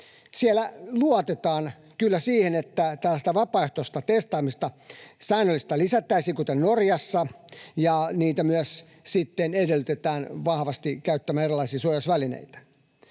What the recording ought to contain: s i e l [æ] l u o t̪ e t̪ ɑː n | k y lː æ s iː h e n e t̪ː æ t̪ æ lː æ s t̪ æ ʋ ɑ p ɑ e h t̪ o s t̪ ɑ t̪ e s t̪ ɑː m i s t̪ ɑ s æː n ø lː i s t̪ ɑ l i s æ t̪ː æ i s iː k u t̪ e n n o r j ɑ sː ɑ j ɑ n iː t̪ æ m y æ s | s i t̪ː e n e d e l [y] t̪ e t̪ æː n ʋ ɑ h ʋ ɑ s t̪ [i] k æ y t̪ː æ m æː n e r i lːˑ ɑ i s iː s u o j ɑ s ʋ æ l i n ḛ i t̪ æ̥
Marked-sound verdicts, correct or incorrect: correct, correct, correct

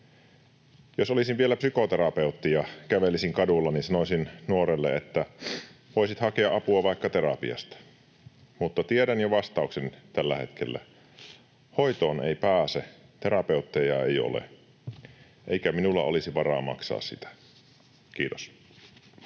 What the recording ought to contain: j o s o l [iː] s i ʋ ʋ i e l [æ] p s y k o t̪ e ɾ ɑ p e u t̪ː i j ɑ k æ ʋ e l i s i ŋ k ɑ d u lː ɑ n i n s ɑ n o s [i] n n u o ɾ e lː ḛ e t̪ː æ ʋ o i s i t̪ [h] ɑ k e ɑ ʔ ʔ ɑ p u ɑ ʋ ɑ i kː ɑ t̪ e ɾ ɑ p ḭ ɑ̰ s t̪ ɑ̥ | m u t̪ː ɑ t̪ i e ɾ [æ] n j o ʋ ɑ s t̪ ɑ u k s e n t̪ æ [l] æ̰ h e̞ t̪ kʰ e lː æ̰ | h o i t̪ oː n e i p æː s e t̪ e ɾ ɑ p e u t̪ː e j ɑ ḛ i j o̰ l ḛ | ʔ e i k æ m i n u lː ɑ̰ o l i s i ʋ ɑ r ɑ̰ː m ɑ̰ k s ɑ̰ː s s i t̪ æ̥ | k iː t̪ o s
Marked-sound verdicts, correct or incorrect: incorrect, correct, correct, correct, correct, incorrect

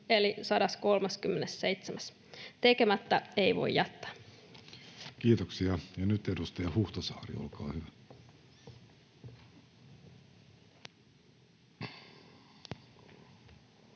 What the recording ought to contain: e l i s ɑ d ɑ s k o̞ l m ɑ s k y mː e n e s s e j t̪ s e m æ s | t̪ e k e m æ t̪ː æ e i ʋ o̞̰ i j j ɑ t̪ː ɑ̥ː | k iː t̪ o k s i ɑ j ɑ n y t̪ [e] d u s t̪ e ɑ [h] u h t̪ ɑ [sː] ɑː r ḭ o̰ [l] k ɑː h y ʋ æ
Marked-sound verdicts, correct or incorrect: correct, correct, incorrect, correct

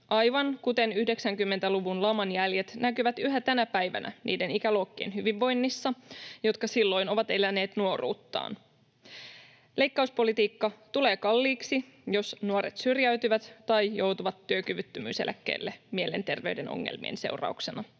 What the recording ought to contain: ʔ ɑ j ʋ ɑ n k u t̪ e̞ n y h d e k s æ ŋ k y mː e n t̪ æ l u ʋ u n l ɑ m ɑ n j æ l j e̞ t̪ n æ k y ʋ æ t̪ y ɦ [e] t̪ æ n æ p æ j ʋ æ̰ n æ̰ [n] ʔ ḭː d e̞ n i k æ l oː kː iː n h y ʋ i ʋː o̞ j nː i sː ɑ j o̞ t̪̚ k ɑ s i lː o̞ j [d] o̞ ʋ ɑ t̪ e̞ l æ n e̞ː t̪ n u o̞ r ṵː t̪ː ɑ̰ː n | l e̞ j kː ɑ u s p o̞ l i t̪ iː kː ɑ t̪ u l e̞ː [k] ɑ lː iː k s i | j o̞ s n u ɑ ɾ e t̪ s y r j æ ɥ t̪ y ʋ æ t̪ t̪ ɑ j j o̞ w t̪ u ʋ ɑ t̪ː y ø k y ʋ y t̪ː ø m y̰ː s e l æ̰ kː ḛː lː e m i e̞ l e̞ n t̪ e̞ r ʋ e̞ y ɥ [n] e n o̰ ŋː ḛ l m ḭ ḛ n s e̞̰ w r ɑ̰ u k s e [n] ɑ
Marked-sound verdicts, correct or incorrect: incorrect, correct, incorrect, correct, incorrect, correct

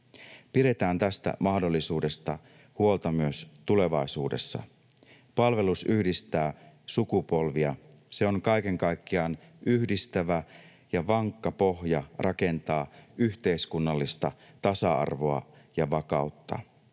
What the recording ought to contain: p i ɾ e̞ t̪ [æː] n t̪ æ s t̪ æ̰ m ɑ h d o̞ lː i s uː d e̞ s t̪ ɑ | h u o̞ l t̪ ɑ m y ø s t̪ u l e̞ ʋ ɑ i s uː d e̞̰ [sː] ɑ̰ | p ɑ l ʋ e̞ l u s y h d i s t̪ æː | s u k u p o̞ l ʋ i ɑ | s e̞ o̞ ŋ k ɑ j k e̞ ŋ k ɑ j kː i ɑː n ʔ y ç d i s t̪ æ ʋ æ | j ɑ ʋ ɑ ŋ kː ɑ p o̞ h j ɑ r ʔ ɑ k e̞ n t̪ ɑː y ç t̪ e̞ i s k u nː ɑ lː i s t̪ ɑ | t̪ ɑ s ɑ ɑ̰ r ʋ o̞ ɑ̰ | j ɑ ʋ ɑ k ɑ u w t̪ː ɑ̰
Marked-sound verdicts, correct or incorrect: correct, correct

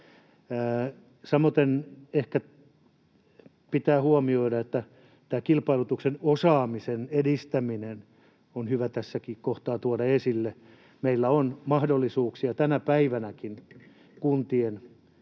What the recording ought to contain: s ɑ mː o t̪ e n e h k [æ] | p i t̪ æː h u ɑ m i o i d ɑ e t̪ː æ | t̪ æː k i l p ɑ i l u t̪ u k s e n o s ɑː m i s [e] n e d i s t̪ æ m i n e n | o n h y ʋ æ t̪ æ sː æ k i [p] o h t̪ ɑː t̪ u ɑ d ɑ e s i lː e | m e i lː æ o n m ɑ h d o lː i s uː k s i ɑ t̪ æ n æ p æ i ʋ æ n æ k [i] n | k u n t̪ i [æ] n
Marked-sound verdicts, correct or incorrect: correct, correct, incorrect, correct, incorrect

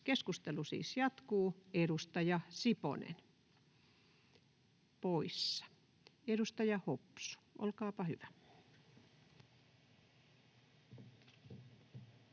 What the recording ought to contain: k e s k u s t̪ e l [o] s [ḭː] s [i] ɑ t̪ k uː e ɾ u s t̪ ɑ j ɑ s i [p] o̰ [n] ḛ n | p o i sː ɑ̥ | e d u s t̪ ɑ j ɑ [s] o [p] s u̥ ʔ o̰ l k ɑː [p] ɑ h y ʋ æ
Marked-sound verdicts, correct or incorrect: incorrect, correct, incorrect, correct, correct, incorrect, correct, correct

